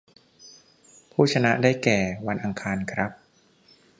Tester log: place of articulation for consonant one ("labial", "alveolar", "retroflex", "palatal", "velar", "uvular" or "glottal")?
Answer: labial